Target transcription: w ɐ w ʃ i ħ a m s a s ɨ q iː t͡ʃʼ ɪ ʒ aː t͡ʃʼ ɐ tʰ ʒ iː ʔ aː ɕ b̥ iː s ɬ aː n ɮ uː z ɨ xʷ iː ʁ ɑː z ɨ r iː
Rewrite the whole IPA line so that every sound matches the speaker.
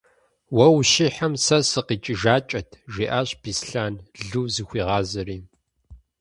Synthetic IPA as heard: w ɐ w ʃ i ħ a m s ɐ s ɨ q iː t͡ʃʼ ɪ ʒ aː t͡ʃʼ ɐ tʰ ʒ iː ʔ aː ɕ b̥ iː s ɬ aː n ɮ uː z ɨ xʷ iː ʁ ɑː z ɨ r iː